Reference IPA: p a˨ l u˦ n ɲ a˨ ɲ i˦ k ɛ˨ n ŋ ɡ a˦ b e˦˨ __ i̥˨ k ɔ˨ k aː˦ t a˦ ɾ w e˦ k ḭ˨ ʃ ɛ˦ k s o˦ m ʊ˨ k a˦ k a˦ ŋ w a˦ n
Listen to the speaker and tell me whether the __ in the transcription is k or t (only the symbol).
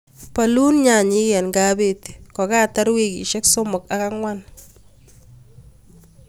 t